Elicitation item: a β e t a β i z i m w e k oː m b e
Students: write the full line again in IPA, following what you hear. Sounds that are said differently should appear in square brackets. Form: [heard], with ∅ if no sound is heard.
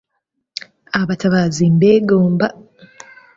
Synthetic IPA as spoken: a β [a] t a β [a] z i m [b] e [ɡ] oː m b [a]